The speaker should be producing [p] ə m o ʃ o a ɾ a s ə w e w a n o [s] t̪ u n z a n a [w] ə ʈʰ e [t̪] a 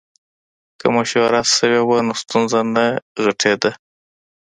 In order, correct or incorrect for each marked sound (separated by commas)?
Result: incorrect, correct, incorrect, incorrect